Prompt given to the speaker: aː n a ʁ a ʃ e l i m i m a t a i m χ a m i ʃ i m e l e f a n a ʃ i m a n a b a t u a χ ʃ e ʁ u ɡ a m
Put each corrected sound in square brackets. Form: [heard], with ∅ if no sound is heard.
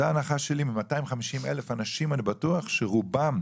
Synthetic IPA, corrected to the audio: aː n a [χ] a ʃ e l i m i m a t a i m χ a m i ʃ i m e l e f a n a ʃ i m a n [i] b a t u a χ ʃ e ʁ u [b] a m